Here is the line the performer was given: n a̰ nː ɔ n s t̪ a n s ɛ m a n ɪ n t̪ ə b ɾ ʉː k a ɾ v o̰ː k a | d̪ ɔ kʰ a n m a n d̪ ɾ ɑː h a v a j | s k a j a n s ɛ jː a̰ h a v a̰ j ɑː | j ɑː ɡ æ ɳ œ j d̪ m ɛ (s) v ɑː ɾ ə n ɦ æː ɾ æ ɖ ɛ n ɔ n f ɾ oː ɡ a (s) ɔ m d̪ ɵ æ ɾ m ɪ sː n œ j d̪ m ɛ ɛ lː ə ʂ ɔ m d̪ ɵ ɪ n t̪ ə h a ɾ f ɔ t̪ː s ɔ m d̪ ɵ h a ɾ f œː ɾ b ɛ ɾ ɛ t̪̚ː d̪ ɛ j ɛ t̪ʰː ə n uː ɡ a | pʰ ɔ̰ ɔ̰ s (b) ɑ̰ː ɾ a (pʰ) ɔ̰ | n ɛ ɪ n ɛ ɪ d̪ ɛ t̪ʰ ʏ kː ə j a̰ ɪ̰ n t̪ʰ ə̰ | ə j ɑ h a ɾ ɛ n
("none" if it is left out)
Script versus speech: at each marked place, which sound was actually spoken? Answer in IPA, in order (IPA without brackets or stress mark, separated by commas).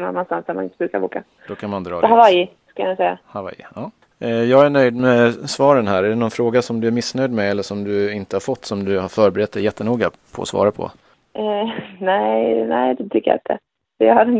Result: s, s, v, pʰ